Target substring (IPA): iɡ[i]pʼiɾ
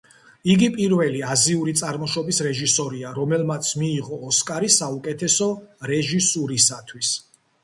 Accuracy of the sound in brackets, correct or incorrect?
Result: correct